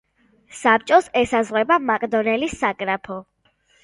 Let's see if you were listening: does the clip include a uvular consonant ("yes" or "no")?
yes